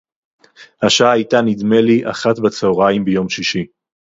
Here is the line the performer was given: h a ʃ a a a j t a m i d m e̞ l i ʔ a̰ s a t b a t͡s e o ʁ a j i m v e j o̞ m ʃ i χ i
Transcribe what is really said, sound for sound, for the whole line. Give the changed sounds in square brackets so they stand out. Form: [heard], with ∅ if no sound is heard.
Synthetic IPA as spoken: h a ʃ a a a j t a [n] i d m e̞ l i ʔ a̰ [χ] a t b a t͡s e o ʁ a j i m [b] e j o̞ m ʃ i [ʃ] i